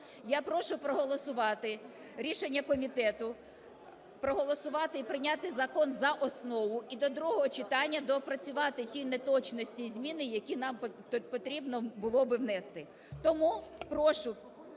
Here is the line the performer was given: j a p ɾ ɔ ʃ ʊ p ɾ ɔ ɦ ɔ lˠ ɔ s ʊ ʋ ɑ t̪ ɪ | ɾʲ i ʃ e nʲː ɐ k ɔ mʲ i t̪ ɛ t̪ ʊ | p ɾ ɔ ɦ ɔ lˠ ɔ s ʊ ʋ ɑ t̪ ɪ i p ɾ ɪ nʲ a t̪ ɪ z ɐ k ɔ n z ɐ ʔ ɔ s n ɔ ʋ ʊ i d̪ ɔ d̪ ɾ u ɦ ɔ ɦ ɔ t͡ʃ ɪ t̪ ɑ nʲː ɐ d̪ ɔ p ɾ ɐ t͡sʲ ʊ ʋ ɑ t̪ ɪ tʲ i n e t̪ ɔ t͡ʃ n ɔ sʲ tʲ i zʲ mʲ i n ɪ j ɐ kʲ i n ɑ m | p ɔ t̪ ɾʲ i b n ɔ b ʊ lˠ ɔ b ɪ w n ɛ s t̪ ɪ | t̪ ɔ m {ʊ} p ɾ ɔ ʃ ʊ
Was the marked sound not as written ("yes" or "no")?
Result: yes